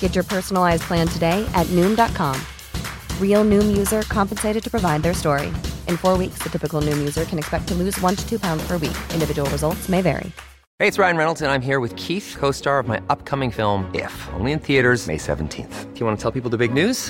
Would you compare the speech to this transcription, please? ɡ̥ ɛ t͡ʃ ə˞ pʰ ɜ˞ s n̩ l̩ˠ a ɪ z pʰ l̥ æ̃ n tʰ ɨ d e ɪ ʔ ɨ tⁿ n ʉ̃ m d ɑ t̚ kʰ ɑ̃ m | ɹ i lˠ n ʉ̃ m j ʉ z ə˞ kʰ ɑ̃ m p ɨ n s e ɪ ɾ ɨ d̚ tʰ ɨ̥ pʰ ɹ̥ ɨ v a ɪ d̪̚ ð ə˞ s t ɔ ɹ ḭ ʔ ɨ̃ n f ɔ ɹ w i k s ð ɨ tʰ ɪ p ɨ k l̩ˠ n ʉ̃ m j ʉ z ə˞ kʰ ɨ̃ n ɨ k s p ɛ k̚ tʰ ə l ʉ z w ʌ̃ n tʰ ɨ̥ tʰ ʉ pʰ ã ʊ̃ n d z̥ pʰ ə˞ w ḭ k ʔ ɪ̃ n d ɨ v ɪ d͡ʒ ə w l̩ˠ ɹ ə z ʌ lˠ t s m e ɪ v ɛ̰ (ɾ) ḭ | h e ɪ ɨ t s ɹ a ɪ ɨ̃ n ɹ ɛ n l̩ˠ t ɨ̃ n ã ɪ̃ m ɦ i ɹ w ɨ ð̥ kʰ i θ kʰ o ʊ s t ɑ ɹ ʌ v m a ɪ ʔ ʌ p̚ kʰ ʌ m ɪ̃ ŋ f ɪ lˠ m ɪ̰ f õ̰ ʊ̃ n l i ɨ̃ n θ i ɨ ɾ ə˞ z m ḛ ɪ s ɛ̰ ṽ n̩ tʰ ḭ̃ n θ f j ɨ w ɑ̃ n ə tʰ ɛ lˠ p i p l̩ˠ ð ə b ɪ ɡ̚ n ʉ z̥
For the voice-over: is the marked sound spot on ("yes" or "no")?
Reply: no